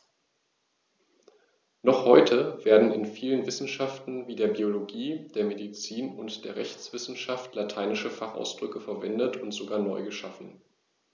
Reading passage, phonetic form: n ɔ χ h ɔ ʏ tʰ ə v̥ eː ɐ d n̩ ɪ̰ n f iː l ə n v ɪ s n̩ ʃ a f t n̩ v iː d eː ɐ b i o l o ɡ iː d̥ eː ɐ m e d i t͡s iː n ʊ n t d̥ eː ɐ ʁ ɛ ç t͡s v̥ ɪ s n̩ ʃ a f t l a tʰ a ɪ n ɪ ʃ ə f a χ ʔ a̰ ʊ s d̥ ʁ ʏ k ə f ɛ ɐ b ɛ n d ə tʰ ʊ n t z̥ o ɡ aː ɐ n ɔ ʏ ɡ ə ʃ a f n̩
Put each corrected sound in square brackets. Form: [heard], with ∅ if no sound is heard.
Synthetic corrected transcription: n ɔ χ h ɔ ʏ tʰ ə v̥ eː ɐ d n̩ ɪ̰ n f iː l ə n v ɪ s n̩ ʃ a f t n̩ v iː d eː ɐ b i o l o ɡ iː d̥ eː ɐ m e d i t͡s iː n ʊ n t d̥ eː ɐ ʁ ɛ ç t͡s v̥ ɪ s n̩ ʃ a f t l a tʰ a ɪ n ɪ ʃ ə f a χ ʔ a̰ ʊ s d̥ ʁ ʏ k ə f ɛ ɐ [v] ɛ n d ə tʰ ʊ n t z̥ o ɡ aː ɐ n ɔ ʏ ɡ ə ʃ a f n̩